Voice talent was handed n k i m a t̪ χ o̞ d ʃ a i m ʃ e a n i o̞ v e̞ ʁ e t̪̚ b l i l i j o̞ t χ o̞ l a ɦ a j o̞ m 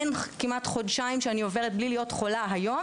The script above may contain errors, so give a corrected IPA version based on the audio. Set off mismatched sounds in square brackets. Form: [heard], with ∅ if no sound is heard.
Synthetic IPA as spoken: n k i m a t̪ χ o̞ d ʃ a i m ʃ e a n i o̞ v e̞ ʁ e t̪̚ b l i l i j o̞ t χ o̞ l a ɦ a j o̞ m